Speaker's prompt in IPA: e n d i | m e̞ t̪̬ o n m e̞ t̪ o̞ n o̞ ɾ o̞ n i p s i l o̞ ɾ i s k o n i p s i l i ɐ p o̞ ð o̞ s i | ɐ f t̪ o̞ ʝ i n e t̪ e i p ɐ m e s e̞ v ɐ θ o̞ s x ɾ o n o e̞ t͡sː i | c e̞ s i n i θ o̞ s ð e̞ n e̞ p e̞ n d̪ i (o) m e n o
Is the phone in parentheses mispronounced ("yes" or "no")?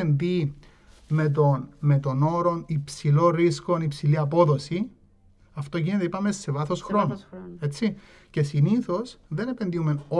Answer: yes